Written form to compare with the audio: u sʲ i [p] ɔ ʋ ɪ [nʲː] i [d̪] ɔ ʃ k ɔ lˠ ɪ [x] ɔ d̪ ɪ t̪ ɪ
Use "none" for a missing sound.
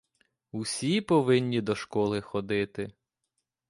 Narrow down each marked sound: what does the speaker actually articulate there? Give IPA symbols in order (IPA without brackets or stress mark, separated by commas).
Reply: p, nʲː, d̪, x